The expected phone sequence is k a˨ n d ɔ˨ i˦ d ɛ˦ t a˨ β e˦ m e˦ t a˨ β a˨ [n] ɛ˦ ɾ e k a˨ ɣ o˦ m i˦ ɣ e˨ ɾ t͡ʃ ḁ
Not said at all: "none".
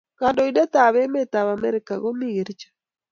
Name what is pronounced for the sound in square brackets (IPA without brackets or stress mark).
m